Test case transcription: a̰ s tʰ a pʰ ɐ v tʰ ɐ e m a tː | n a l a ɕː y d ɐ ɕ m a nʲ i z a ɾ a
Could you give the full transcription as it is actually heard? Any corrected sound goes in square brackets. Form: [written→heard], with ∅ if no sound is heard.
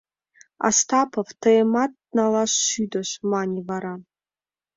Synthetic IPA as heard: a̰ s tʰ a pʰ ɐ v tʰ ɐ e m a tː | n a l a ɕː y d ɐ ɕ m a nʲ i [z→v] a ɾ a